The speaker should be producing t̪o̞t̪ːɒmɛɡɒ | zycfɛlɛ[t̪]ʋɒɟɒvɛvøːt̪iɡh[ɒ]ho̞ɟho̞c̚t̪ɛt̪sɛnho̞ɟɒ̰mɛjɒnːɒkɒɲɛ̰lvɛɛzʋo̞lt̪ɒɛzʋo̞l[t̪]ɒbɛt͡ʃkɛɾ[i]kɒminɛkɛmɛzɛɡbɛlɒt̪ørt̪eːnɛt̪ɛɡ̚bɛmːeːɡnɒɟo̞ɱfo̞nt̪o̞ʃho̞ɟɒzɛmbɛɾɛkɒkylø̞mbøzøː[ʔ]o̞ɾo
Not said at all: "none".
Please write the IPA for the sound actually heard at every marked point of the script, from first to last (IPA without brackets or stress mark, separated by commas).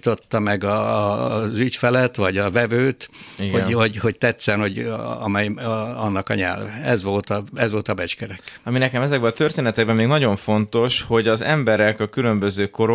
t̪, o, t̪, ɛ, k